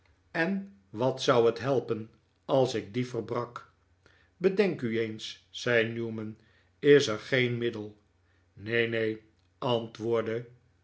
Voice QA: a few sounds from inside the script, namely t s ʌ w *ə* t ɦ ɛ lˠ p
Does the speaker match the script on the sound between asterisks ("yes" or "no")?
yes